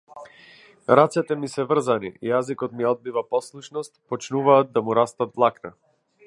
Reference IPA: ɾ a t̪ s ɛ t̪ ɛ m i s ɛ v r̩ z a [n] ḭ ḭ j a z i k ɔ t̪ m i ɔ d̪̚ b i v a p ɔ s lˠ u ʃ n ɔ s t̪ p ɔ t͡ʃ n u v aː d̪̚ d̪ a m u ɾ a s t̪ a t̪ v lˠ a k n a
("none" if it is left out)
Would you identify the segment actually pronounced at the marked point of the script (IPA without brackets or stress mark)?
n